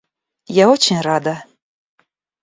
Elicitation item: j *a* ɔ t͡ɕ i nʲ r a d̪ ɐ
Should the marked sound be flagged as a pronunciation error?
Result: no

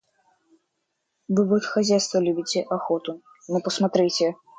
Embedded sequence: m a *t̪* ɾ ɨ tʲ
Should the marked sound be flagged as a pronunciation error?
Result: no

